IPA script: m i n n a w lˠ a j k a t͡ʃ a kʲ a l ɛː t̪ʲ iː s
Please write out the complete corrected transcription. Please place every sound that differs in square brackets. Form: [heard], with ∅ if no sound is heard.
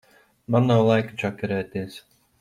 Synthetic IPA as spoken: m [a] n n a w lˠ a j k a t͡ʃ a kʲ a [ɾ] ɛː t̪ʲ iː s